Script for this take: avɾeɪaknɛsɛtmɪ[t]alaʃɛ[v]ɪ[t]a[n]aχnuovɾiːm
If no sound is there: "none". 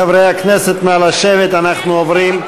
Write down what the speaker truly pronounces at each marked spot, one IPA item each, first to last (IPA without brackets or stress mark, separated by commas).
none, v, t, n